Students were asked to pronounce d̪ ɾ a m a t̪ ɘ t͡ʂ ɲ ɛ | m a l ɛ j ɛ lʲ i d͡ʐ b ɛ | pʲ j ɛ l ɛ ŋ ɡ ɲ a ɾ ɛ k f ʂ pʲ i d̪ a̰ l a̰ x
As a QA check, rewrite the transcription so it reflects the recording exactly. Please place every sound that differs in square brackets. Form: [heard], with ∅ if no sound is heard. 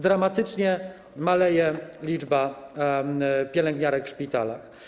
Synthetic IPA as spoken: d̪ ɾ a m a t̪ ɘ t͡ʂ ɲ ɛ | m a l ɛ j ɛ lʲ i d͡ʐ b [a] | pʲ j ɛ l ɛ ŋ ɡ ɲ a ɾ ɛ k f ʂ pʲ i [t̪] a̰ l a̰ x